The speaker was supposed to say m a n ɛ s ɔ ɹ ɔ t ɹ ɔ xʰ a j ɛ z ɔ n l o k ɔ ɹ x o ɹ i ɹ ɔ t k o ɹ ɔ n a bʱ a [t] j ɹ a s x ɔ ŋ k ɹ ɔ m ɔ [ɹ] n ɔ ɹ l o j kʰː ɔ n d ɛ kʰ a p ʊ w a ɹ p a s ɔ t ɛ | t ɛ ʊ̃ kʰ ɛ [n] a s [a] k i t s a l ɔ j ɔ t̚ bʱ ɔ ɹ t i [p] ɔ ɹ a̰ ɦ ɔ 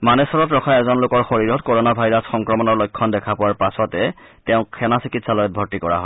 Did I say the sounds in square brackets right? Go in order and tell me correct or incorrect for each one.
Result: incorrect, incorrect, correct, incorrect, incorrect

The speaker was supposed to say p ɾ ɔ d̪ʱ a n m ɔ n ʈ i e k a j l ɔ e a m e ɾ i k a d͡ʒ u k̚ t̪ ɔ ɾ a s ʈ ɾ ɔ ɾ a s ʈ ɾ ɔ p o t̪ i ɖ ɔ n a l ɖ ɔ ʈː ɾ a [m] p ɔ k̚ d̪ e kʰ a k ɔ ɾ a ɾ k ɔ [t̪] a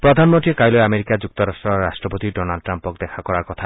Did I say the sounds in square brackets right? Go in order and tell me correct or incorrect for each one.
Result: correct, incorrect

